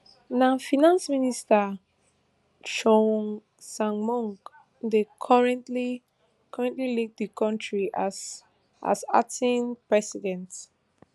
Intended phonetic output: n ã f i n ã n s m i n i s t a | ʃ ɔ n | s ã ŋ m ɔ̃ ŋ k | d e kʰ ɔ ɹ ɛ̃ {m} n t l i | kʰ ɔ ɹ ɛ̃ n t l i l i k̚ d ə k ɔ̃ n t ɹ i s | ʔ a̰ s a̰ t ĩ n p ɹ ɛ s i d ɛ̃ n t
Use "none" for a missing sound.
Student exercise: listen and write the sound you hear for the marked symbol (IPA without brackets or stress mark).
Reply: none